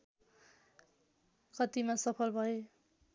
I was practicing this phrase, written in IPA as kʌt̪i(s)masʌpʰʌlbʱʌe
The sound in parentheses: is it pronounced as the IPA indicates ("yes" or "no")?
no